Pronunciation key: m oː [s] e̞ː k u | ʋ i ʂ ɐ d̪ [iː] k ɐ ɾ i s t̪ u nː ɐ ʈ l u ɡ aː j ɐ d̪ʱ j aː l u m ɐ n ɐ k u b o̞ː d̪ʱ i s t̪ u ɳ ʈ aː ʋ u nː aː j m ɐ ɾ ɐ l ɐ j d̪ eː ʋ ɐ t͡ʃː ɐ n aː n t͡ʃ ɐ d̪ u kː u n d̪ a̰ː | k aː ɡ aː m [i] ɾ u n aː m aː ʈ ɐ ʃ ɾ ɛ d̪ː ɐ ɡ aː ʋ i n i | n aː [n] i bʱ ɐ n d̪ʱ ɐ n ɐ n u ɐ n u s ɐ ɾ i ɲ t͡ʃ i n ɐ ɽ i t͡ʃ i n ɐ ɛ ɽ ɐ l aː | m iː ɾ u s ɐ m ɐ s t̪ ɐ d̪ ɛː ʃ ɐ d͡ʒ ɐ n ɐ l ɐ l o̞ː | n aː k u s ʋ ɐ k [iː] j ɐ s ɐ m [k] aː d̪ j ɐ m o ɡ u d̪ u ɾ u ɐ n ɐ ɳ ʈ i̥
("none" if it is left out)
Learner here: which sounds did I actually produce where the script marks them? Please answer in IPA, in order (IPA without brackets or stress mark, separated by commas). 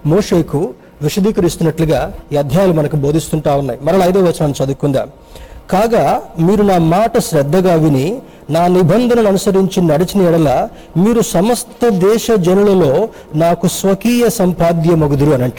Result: ʂ, iː, iː, n, iː, p